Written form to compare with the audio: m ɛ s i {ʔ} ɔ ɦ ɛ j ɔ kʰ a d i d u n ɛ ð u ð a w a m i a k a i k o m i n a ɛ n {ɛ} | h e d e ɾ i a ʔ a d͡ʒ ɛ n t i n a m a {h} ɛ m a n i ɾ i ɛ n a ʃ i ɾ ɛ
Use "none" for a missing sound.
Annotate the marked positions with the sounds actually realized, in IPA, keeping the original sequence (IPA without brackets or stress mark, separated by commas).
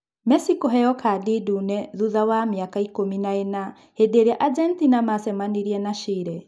k, a, s